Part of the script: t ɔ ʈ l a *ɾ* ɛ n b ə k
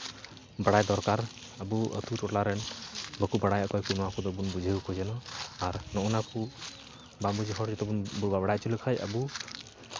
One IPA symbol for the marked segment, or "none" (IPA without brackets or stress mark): ɾ